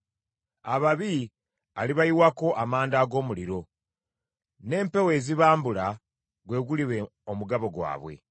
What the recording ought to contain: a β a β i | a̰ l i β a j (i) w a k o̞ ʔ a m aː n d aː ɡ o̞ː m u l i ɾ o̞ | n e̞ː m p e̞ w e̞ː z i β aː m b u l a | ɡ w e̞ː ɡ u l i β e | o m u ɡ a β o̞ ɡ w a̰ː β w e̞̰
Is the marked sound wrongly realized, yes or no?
no